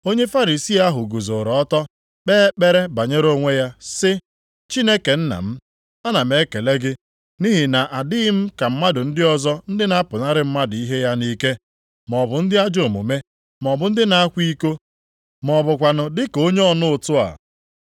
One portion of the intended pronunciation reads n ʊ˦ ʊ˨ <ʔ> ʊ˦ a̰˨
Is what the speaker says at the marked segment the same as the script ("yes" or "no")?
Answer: no